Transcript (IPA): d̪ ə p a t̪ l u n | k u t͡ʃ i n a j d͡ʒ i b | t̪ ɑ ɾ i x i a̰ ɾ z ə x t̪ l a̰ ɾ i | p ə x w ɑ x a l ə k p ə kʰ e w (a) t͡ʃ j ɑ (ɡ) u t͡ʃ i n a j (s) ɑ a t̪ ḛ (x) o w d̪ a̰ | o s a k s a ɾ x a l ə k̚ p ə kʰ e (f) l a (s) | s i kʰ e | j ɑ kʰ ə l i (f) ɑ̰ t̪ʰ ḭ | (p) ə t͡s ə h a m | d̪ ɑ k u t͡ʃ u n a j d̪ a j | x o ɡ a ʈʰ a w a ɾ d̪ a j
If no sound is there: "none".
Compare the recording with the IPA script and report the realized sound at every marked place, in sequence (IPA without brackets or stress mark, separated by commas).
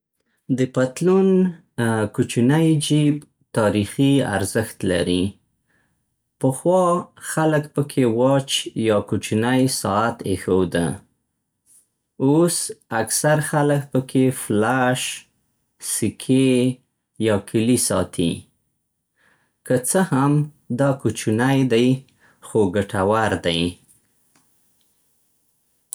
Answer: ɑ, k, s, x, f, ʃ, s, k